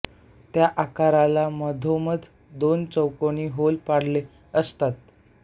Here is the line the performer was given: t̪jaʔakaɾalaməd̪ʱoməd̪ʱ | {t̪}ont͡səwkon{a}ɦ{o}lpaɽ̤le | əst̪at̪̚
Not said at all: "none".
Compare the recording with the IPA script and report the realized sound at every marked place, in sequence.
d̪, i, o

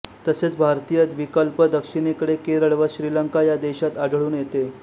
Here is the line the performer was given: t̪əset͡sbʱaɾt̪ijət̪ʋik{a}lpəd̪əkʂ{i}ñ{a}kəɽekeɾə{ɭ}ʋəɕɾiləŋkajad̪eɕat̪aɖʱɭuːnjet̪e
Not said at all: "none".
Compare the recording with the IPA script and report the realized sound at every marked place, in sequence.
ə, i, e, ɭ

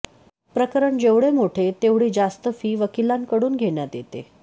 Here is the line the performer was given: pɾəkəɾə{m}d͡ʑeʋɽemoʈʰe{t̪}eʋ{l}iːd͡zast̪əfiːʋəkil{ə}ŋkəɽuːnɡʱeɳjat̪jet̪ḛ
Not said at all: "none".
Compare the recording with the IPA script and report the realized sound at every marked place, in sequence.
ɳ, t̪, ɽ, a

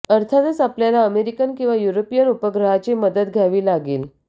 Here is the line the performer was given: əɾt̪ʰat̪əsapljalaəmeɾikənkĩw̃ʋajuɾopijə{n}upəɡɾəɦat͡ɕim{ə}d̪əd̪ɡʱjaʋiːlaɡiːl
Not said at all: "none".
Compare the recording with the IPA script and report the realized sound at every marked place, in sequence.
n, ə

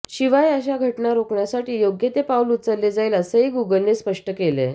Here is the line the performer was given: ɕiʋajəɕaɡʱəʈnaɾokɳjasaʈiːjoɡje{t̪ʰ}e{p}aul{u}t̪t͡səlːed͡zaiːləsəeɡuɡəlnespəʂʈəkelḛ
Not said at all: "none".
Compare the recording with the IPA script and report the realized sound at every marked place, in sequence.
t̪, p, u

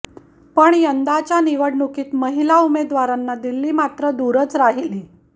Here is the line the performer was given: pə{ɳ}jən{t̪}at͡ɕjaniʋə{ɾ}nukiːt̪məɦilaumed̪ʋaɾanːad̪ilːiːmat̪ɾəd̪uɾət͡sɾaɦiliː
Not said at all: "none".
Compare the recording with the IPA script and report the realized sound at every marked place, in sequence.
ɳ, d̪, ɽ

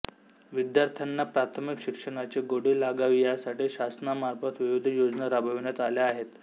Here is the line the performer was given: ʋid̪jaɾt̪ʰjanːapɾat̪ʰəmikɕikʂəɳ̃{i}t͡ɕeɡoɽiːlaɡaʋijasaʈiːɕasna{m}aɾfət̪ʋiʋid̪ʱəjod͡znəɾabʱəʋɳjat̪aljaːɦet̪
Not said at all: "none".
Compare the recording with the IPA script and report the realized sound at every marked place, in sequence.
a, m

